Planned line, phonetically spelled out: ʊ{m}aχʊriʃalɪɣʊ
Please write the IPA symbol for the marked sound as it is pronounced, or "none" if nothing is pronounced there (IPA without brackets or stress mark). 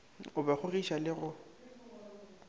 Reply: b